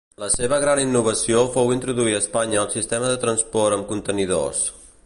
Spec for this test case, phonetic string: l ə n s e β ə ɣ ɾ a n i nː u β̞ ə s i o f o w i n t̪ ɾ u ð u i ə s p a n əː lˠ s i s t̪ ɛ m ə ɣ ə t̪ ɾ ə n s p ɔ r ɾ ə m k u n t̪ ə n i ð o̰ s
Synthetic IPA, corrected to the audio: l ə s e β ə ɣ ɾ a n i nː u β̞ ə s i o f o w i n t̪ ɾ u ð u i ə s p a ɲ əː lˠ s i s t̪ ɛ m ə ð ə t̪ ɾ ə n s p ɔ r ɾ ə m k u n t̪ ə n i ð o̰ s

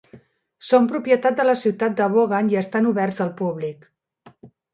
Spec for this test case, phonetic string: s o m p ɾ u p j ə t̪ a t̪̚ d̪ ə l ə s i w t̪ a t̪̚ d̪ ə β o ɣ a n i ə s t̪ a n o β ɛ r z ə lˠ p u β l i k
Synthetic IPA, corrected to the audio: s o m p ɾ u p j ə t̪ a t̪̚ d̪ ə l ə s i w t̪ a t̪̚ d̪ ə β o ɣ a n i ə s t̪ a n u β ɛ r z ə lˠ p u β l i k

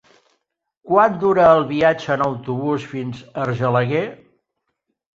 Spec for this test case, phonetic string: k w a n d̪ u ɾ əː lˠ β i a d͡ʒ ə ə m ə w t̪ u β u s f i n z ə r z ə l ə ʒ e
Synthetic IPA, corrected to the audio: k w a n d̪ u ɾ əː lˠ β i a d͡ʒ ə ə n ə w t̪ u β u s f i n z ə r ʒ ə l ə ɣ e

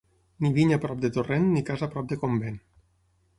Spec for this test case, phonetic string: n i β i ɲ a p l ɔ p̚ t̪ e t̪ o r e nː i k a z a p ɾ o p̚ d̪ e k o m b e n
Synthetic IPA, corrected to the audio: n i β i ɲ a p ɾ ɔ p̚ d̪ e t̪ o r e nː i k a z a p ɾ ɔ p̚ d̪ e k o m b e n

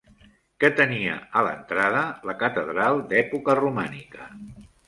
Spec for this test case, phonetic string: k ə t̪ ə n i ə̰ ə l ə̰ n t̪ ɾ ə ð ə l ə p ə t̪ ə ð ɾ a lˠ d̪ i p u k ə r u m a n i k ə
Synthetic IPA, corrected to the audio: k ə t̪ ə n i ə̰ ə l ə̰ n t̪ ɾ a ð ə l ə k ə t̪ ə ð ɾ a lˠ d̪ ɛ p u k ə r u m a n i k ə

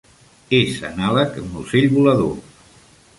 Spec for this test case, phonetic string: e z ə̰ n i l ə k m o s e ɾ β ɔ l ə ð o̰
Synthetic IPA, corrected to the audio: e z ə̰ n a l ə k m u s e ʎ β u l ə ð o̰

